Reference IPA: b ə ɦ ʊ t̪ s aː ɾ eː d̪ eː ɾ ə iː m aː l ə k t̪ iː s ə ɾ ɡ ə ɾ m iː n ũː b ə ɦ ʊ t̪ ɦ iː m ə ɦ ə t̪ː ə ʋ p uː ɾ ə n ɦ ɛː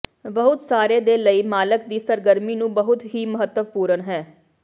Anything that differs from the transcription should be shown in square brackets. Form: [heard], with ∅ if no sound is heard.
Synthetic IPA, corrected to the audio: b ə ɦ ʊ t̪ s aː ɾ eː d̪ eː [l] ə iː m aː l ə k [d̪] iː s ə ɾ ɡ ə ɾ m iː n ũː b ə ɦ ʊ t̪ ɦ iː m ə ɦ ə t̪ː ə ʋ p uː ɾ ə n ɦ ɛː